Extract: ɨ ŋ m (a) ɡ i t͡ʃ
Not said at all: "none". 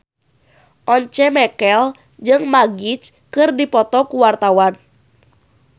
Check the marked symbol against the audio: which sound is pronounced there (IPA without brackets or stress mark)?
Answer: a